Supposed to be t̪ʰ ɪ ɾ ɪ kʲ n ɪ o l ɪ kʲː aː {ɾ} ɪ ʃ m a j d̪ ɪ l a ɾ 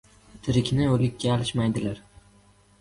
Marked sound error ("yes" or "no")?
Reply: yes